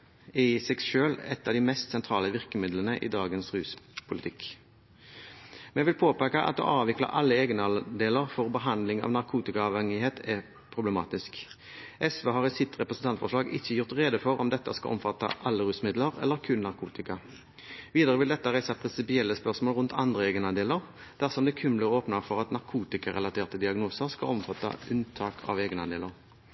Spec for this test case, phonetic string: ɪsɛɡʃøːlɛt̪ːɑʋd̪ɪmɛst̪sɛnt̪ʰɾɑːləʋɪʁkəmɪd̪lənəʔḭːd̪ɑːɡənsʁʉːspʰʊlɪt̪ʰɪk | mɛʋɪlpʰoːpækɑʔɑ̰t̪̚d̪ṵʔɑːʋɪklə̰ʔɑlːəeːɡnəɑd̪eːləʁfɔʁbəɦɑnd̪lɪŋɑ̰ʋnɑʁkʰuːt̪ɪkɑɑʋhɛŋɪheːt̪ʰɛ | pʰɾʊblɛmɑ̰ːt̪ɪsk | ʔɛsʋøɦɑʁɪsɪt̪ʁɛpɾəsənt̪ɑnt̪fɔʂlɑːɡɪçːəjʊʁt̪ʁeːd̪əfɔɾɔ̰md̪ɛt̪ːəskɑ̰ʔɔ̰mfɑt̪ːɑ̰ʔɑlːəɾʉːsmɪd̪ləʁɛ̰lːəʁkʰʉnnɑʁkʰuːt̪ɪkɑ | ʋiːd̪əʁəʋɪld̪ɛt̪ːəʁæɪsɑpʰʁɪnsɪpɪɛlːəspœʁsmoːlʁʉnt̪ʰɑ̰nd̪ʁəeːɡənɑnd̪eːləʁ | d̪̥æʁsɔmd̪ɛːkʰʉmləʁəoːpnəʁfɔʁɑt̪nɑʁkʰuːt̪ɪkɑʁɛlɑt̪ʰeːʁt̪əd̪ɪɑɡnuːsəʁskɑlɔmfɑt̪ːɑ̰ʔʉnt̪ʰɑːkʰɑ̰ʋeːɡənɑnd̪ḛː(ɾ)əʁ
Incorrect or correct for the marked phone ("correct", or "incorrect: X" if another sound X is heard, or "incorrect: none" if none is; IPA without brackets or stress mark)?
incorrect: l